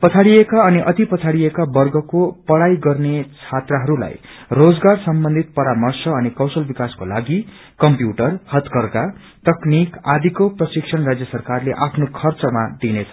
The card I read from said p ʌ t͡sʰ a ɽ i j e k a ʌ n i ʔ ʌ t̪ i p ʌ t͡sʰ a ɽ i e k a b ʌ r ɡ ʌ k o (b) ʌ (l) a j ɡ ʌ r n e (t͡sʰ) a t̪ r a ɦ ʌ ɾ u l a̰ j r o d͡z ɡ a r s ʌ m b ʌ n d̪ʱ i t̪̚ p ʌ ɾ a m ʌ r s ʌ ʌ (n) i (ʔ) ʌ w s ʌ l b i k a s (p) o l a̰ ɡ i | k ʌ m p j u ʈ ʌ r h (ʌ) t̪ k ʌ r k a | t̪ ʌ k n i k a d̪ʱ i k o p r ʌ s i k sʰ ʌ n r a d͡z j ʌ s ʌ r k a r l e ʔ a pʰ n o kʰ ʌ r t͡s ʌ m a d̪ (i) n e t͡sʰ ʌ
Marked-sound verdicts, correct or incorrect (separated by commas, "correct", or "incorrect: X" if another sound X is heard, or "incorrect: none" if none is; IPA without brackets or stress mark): incorrect: p, incorrect: ɽ, correct, correct, incorrect: k, incorrect: k, correct, correct